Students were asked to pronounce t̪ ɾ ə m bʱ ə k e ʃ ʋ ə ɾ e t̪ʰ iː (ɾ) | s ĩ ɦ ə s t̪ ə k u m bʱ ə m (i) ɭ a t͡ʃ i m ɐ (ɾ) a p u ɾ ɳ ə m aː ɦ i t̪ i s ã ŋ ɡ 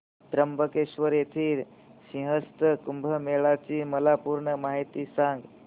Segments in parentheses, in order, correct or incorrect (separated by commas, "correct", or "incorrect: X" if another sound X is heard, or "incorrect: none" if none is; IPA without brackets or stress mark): correct, incorrect: e, incorrect: l